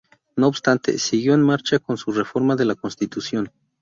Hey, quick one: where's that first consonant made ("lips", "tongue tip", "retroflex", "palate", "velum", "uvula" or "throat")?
tongue tip